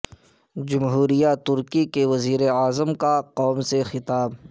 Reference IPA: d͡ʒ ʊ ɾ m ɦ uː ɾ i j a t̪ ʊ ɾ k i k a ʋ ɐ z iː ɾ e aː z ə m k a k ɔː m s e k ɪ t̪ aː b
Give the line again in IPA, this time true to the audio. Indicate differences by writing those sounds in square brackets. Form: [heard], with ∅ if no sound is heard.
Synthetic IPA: d͡ʒ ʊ [∅] m ɦ uː ɾ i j a t̪ ʊ ɾ k i k [e] ʋ ɐ z iː ɾ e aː z ə m k a [q] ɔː m s e [x] ɪ t̪ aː b